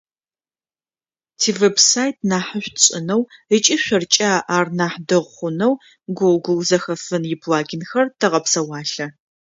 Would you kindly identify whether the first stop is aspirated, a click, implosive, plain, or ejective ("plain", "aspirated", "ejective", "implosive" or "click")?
aspirated